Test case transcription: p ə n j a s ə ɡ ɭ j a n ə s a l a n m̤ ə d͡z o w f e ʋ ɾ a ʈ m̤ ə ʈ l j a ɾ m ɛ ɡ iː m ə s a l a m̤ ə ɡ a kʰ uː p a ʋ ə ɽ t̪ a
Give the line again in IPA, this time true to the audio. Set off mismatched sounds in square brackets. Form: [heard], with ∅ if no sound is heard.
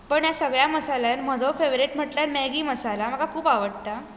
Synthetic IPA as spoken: p ə [ɳ] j a s ə ɡ ɭ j a [m] ə s a l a n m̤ ə d͡z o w f e ʋ ɾ [i] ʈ m̤ ə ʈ l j a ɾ m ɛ ɡ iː m ə s a l a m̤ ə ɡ a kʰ uː p a ʋ ə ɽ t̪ a